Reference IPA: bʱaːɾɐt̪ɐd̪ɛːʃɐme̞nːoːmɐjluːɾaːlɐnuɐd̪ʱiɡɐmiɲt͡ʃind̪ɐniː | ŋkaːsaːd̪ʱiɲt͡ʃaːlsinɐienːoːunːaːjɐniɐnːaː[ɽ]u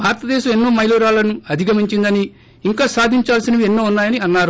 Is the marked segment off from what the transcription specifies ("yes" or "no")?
yes